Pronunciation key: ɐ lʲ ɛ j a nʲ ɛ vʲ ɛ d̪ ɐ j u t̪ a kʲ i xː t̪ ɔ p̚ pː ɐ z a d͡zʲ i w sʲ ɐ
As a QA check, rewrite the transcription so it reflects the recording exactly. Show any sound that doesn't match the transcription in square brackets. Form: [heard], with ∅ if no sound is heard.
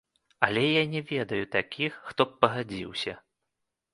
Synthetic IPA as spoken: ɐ lʲ ɛ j a nʲ ɛ vʲ ɛ d̪ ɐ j u t̪ a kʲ i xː t̪ ɔ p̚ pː ɐ [ɣ] a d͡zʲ i w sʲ ɐ